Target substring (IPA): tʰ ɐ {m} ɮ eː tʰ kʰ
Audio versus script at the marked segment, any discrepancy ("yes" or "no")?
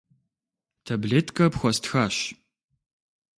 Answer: yes